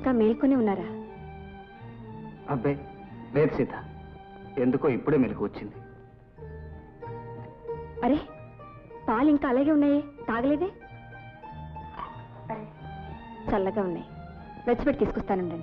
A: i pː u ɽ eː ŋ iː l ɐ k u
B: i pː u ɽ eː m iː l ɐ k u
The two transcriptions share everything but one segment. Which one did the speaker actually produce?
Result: B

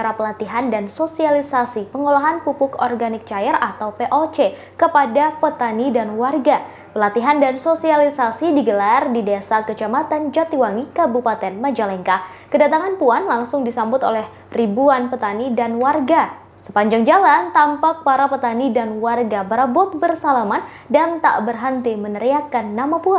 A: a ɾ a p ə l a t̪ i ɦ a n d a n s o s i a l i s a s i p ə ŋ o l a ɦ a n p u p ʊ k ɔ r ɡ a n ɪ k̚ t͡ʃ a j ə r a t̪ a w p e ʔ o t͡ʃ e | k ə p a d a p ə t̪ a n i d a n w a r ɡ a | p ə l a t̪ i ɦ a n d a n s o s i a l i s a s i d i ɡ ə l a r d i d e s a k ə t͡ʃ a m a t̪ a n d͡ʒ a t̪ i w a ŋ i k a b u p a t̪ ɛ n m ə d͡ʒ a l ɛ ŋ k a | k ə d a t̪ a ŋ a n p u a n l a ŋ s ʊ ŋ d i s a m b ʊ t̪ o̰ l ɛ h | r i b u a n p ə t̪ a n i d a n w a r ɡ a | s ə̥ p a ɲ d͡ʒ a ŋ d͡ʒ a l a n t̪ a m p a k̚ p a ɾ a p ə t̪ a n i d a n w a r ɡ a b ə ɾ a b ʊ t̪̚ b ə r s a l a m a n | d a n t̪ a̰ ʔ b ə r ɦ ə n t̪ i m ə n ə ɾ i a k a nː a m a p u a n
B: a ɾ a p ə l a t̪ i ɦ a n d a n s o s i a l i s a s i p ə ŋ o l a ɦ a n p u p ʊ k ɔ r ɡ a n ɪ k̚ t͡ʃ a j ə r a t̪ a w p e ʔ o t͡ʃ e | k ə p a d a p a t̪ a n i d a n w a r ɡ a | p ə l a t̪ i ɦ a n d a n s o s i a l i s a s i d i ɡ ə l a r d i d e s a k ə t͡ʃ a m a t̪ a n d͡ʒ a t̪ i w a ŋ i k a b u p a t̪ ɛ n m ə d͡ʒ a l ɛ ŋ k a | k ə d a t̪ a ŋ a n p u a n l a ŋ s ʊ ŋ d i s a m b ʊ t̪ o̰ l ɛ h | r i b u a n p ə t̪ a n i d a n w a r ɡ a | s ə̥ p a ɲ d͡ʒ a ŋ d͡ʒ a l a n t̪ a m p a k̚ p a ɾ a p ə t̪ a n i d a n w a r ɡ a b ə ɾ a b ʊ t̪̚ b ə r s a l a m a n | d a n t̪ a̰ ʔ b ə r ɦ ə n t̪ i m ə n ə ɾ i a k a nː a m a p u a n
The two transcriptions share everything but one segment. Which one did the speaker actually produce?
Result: A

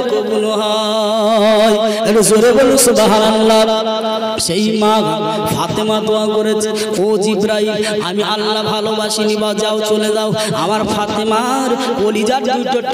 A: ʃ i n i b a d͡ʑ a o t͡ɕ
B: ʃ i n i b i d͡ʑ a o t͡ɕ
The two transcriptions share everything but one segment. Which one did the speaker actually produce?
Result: A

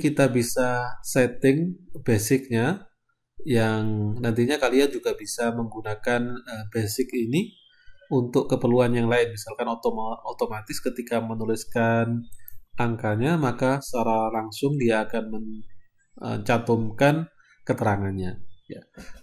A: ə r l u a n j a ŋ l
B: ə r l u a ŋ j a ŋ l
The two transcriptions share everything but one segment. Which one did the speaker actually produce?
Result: A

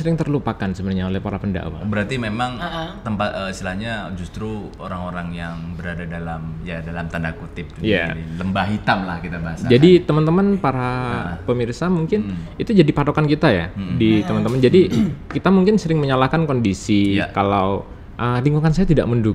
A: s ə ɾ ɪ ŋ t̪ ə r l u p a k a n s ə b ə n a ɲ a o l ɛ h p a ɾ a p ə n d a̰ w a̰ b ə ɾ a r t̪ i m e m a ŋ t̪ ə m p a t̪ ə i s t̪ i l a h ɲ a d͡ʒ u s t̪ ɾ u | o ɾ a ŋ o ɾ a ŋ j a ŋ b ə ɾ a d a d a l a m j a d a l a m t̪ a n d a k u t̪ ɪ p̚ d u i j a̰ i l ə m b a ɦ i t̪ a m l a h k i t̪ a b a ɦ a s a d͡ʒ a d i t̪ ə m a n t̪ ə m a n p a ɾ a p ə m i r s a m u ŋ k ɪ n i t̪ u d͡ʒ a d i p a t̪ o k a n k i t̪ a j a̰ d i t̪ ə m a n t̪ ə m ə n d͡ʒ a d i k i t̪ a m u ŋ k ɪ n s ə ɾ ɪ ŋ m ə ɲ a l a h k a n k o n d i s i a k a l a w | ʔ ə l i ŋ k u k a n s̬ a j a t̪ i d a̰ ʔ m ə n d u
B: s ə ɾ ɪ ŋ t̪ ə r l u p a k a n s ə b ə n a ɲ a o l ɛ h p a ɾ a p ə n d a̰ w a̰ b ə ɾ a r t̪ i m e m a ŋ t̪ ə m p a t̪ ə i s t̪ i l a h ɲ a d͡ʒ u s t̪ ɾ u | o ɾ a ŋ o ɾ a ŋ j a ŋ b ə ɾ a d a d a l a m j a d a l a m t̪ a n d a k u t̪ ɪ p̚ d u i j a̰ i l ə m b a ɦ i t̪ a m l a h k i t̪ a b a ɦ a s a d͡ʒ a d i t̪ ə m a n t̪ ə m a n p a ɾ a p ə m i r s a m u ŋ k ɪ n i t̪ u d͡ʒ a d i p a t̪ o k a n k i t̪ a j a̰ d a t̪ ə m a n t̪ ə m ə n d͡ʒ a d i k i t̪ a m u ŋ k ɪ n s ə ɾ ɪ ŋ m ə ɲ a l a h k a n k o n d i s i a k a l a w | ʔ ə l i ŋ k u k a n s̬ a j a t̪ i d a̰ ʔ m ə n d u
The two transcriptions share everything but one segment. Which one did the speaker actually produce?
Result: A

